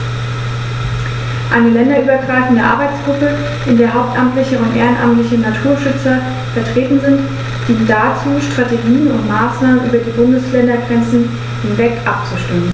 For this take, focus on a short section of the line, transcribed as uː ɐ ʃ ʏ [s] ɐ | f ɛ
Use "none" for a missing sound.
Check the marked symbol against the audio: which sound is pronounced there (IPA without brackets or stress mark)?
t͡s